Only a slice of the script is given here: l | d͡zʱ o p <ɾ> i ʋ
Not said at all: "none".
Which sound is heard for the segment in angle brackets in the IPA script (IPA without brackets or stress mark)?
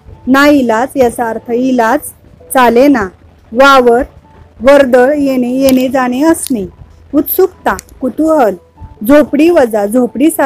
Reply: ɽ